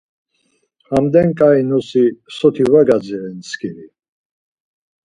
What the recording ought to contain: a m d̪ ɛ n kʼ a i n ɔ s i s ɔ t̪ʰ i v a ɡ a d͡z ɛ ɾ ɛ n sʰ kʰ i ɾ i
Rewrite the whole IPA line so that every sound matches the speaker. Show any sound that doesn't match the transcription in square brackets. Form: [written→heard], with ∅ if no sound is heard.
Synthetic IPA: a m d̪ ɛ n kʼ a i n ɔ s i s ɔ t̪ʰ i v a ɡ a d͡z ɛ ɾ ɛ n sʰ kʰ i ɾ i